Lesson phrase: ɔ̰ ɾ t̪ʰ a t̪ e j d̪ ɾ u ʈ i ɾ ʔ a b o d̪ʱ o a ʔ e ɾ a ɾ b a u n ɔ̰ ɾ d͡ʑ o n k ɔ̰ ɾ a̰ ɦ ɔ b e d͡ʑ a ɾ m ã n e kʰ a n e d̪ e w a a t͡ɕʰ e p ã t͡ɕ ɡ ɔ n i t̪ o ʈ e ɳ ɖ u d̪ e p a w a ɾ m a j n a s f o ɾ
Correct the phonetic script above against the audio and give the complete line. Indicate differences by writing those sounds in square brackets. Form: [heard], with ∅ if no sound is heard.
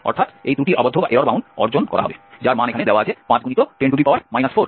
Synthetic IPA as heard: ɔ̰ ɾ t̪ʰ a t̪ e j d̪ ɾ u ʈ i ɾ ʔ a b o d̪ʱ o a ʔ e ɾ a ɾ b a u n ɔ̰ ɾ d͡ʑ o n k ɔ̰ ɾ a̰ ɦ ɔ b e d͡ʑ a ɾ m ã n e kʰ a n e d̪ e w a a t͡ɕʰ e p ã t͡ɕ ɡ [u] n i t̪ o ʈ e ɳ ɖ u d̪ [i] p a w a ɾ m a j n a s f o ɾ